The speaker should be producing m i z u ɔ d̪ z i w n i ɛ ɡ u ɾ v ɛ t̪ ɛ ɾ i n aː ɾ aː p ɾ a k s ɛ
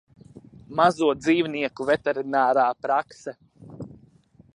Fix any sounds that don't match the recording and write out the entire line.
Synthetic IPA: m a z u ɔ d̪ z iː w n i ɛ k u v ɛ t̪ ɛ ɾ i n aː ɾ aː p ɾ a k s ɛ